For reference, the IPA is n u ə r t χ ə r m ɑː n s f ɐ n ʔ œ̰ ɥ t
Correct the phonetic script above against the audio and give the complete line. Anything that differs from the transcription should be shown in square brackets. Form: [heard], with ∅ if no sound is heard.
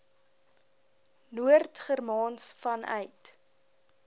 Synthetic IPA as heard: n u ə r t χ ə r m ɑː n s f ɐ n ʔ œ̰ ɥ t